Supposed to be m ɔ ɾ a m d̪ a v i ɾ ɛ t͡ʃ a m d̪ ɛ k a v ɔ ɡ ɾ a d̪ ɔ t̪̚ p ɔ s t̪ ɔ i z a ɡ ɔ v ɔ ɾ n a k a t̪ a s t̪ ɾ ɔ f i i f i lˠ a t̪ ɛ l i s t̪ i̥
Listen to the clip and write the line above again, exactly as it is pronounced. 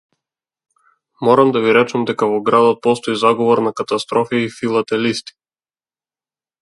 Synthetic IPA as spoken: m ɔ ɾ a m d̪ a v i ɾ ɛ t͡ʃ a m d̪ ɛ k a v ɔ ɡ ɾ a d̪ ɔ t̪̚ p ɔ s t̪ ɔ i z a ɡ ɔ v ɔ ɾ n a k a t̪ a s t̪ ɾ ɔ f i i f i lˠ a t̪ ɛ l i s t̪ i̥

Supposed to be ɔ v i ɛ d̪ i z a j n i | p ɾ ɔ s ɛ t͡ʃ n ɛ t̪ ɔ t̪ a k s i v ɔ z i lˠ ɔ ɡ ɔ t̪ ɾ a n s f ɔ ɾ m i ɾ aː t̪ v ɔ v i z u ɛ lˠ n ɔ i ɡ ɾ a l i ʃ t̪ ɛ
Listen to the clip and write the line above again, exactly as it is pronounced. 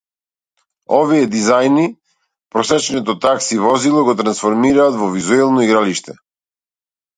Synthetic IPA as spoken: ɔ v i ɛ d̪ i z a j n i | p ɾ ɔ s ɛ t͡ʃ n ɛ t̪ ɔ t̪ a k s i v ɔ z i lˠ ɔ ɡ ɔ t̪ ɾ a n s f ɔ ɾ m i ɾ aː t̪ v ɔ v i z u ɛ lˠ n ɔ i ɡ ɾ a l i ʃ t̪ ɛ

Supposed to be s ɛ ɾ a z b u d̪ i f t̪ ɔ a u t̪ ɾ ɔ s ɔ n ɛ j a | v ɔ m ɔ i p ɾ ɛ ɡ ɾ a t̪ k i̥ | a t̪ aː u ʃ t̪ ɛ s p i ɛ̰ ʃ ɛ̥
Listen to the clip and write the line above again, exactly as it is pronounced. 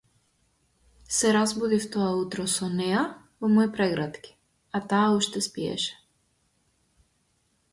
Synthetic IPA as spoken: s ɛ ɾ a z b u d̪ i f t̪ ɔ a u t̪ ɾ ɔ s ɔ n ɛ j a | v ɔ m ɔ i p ɾ ɛ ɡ ɾ a t̪ k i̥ | a t̪ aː u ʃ t̪ ɛ s p i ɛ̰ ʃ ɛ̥

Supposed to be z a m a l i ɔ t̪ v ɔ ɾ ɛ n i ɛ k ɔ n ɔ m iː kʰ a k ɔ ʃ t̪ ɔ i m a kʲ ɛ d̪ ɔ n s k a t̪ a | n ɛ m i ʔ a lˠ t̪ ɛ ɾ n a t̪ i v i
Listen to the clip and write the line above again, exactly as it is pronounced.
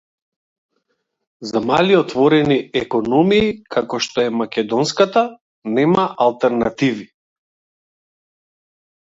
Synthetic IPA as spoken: z a m a l i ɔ t̪ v ɔ ɾ ɛ n i ɛ k ɔ n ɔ m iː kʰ a k ɔ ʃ t̪ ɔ ɛ m a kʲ ɛ d̪ ɔ n s k a t̪ a | n ɛ m a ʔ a lˠ t̪ ɛ ɾ n a t̪ i v i

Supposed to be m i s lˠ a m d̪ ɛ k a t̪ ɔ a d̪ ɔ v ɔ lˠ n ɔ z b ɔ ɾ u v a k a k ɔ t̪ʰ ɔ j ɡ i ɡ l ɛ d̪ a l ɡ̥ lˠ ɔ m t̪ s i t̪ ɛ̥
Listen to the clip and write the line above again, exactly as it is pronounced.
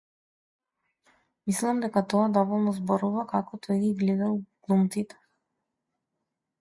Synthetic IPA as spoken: m i s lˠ a m d̪ ɛ k a t̪ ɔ a d̪ ɔ v ɔ lˠ n ɔ z b ɔ ɾ u v a k a k ɔ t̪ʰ ɔ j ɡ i ɡ l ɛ d̪ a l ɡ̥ lˠ u m t̪ s i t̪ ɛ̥

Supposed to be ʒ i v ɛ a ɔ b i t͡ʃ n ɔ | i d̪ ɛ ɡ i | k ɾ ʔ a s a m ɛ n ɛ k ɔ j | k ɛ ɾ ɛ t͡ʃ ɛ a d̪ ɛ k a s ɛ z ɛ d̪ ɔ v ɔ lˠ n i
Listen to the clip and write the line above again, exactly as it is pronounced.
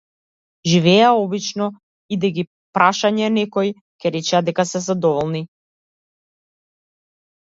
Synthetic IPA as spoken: ʒ i v ɛ a ɔ b i t͡ʃ n ɔ | i d̪ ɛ ɡ i | p ɾ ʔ a ʃ a ɲ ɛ n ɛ k ɔ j | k ɛ ɾ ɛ t͡ʃ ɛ a d̪ ɛ k a s ɛ z a d̪ ɔ v ɔ lˠ n i

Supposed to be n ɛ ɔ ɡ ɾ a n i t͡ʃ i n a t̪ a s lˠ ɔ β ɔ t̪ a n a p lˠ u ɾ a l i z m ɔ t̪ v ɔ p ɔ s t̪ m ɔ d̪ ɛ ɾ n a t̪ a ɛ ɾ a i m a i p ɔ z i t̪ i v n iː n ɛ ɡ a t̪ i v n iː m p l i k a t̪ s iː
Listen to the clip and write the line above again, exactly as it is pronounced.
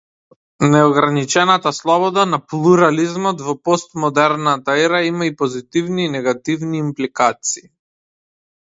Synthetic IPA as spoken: n ɛ ɔ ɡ ɾ a n i t͡ʃ ɛ n a t̪ a s lˠ ɔ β ɔ d̪ a n a p lˠ u ɾ a l i z m ɔ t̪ v ɔ p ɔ s t̪ m ɔ d̪ ɛ ɾ n a t̪ a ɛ ɾ a i m a i p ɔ z i t̪ i v n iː n ɛ ɡ a t̪ i v n iː m p l i k a t̪ s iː

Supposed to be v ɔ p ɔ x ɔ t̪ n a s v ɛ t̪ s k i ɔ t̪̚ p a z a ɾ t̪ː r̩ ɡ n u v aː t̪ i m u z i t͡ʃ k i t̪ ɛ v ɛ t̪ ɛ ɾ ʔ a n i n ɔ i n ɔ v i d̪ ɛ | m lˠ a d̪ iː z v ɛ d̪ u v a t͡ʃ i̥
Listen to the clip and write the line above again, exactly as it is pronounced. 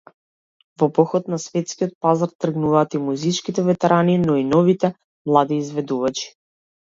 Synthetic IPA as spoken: v ɔ p ɔ x ɔ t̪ n a s v ɛ t̪ s k i ɔ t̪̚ p a z a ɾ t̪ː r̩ ɡ n u v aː t̪ i m u z i t͡ʃ k i t̪ ɛ v ɛ t̪ ɛ ɾ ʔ a n i n ɔ i n ɔ v i t̪ ɛ | m lˠ a d̪ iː z v ɛ d̪ u v a t͡ʃ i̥

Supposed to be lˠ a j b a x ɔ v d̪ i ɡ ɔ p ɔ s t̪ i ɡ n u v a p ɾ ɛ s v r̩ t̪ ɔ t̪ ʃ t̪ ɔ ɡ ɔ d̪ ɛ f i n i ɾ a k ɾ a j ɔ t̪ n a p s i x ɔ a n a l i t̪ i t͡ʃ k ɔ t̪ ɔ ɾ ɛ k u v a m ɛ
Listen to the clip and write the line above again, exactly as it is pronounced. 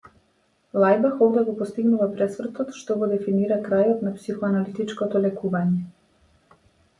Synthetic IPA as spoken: lˠ a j b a x ɔ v d̪ ɛ ɡ ɔ p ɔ s t̪ i ɡ n u v a p ɾ ɛ s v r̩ t̪ ɔ t̪ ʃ t̪ ɔ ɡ ɔ d̪ ɛ f i n i ɾ a k ɾ a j ɔ t̪ n a p s i x ɔ a n a l i t̪ i t͡ʃ k ɔ t̪ ɔ l ɛ k u v a ɲ ɛ

